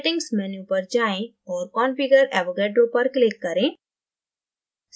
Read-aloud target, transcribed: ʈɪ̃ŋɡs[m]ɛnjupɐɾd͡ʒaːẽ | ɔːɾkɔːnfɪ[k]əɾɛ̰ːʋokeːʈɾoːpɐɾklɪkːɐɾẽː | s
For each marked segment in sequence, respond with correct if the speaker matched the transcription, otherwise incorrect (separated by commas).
correct, incorrect